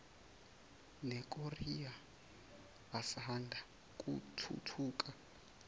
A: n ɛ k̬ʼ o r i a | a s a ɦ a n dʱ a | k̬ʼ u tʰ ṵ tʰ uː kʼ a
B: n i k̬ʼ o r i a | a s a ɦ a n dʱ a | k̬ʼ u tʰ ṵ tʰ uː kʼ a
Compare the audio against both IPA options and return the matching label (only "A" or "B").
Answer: A